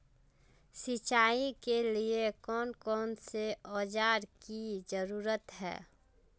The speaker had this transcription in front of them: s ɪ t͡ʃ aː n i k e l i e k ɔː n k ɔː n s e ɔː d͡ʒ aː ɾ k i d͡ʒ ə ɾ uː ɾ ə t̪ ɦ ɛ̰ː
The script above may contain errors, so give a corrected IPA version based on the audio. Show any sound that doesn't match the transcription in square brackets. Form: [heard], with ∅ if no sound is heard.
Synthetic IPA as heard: s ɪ t͡ʃ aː [∅] i k e l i e k ɔː n k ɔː n s e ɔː d͡ʒ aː ɾ k i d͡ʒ ə ɾ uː ɾ ə t̪ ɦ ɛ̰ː